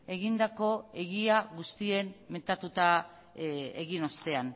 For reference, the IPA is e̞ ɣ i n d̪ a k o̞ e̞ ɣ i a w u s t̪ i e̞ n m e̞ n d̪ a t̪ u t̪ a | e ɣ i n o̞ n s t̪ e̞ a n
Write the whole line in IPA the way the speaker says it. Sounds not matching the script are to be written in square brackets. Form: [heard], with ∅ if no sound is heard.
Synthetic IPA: e̞ ɣ i n d̪ a k o̞ e̞ ɣ i a [ɣ] u s t̪ i e̞ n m e̞ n [t̪] a t̪ u t̪ a | e ɣ i n o̞ [∅] s t̪ e̞ a n